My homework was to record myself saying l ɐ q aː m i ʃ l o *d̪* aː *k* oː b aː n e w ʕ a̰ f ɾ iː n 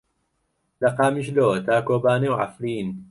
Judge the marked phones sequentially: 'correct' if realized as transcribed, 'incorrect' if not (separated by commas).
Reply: incorrect, correct